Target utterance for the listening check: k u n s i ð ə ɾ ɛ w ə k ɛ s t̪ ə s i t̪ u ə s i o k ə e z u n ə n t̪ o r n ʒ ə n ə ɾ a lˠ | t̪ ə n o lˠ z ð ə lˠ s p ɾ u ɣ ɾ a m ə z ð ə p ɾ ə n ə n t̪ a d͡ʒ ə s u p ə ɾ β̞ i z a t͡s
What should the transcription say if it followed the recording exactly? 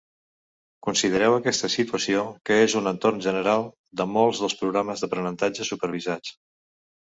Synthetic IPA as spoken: k u n s i ð ə ɾ ɛ w ə k ɛ s t̪ ə s i t̪ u ə s i o k ə e z u n ə n t̪ o r n ʒ ə n ə ɾ a lˠ | d̪ ə m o lˠ z ð ə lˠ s p ɾ u ɣ ɾ a m ə z ð ə p ɾ ə n ə n t̪ a d͡ʒ ə s u p ə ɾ β̞ i z a t͡s